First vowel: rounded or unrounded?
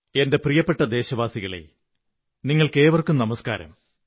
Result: unrounded